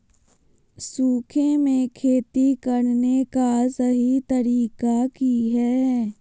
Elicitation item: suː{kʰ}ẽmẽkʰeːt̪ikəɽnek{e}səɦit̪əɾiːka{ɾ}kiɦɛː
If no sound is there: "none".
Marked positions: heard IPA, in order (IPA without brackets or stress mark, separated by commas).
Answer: kʰ, a, none